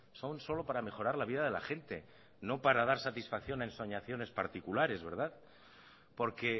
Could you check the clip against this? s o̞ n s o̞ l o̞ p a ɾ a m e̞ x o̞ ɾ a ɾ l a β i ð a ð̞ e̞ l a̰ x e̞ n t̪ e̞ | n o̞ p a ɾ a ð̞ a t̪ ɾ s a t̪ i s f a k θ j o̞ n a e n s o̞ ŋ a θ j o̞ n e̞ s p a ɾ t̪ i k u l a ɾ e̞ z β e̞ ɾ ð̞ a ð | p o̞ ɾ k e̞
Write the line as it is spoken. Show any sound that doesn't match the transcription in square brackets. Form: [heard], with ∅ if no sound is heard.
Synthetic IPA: s o̞ n s o̞ l o̞ p a ɾ a m e̞ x o̞ ɾ a ɾ l a β i ð a ð̞ e̞ l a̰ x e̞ n t̪ e̞ | n o̞ p a ɾ a ð̞ a [∅] ɾ s a t̪ i s f a k θ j o̞ n a e n s o̞ [ɲ] a θ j o̞ n e̞ s p a ɾ t̪ i k u l a ɾ e̞ z β e̞ ɾ ð̞ a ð | p o̞ ɾ k e̞